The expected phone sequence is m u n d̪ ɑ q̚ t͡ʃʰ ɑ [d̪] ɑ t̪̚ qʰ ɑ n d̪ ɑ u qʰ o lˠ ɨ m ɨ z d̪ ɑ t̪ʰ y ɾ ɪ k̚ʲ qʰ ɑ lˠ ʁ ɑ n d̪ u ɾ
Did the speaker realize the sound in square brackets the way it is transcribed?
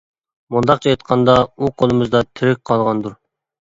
no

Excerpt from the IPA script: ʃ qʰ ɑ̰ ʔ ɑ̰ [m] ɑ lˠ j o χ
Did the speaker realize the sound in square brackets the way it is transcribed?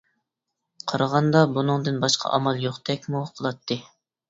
yes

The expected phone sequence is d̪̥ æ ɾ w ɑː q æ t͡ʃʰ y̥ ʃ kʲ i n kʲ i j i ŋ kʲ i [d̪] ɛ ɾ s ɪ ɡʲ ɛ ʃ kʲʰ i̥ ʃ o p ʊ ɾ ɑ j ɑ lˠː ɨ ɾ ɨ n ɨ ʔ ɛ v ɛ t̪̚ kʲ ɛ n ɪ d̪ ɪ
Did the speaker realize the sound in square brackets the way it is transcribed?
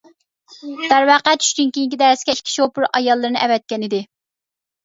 yes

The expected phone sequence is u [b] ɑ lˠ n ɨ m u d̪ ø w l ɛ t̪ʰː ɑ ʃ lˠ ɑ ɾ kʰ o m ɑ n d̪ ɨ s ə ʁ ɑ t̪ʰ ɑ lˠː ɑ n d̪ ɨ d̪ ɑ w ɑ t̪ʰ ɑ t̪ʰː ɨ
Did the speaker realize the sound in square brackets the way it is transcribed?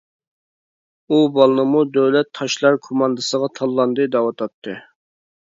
yes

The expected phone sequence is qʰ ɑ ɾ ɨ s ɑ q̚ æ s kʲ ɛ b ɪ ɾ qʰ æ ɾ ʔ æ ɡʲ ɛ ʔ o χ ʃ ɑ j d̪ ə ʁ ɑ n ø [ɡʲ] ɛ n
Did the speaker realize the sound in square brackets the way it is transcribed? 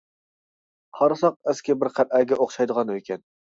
no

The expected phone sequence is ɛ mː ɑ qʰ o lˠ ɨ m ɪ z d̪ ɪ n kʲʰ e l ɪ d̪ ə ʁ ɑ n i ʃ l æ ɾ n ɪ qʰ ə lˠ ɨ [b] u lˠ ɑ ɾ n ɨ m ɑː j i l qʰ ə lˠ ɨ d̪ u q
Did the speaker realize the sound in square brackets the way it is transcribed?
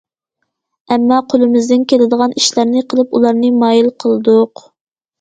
no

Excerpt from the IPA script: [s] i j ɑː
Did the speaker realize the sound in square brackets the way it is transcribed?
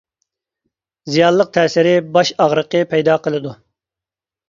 no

